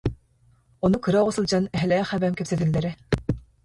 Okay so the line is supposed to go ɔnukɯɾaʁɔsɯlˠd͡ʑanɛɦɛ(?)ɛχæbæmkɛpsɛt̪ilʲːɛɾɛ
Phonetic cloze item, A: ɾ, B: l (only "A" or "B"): B